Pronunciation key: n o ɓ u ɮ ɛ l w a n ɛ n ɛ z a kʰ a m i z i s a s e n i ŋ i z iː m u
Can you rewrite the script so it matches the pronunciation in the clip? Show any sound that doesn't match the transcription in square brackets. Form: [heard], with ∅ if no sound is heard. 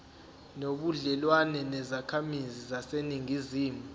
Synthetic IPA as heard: n o ɓ u ɮ ɛ l w a n ɛ n ɛ z a kʰ a m i z i [z] a s e n i ŋ i z iː m u